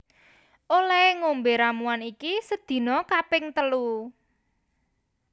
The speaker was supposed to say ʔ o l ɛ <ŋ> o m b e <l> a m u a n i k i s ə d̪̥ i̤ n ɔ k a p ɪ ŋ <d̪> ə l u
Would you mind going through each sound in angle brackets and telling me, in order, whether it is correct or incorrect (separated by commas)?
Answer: correct, incorrect, incorrect